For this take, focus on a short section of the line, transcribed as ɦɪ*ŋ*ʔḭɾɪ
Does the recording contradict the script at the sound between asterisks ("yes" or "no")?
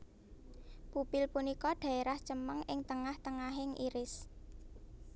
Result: no